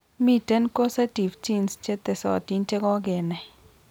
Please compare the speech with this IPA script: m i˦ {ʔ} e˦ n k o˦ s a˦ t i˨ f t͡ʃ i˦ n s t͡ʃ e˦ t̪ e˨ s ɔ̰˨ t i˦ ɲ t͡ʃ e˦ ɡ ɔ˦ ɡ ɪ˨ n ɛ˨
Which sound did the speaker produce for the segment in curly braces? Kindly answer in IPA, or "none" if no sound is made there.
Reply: t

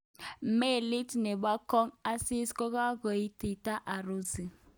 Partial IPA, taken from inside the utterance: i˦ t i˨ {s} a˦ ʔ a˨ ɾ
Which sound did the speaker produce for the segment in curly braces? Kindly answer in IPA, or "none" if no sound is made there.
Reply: t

